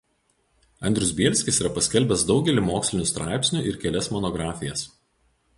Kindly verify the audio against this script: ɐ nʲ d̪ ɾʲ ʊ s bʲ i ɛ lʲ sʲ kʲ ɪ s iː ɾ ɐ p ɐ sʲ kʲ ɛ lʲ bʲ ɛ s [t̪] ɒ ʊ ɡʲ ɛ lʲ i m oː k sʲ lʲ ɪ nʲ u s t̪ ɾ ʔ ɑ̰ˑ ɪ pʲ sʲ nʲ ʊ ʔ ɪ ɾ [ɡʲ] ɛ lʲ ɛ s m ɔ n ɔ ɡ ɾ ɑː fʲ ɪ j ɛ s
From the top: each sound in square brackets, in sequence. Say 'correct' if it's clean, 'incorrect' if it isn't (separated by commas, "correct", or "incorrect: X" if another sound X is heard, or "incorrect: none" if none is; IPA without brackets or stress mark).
incorrect: d̪, incorrect: kʲ